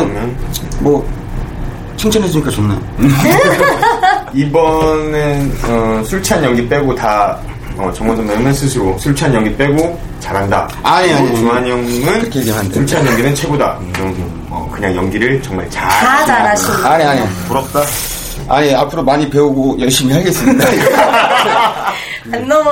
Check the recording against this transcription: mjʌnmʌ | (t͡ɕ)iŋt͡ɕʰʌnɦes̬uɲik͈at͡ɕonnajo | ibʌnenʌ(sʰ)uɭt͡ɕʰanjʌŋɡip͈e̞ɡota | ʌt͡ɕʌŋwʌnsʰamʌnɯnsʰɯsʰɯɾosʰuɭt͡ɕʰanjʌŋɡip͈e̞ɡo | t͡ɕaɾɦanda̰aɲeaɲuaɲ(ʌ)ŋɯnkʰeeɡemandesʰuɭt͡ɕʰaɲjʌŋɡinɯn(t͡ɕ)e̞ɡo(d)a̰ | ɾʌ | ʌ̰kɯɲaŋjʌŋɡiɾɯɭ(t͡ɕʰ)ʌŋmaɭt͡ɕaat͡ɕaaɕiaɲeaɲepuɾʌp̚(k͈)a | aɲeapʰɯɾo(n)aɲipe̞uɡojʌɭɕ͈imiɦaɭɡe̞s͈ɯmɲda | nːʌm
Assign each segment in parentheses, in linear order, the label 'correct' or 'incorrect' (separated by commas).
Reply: incorrect, correct, correct, incorrect, correct, incorrect, incorrect, incorrect